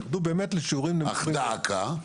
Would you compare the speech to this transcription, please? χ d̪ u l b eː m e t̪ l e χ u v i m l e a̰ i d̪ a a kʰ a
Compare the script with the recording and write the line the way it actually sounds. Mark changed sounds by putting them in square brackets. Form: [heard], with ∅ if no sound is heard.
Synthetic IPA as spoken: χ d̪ u [∅] b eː m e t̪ l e [ʃ] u [ʁ] i m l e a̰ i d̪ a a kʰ a